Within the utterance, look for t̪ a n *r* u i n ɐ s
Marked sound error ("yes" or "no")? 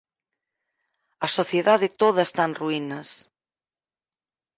no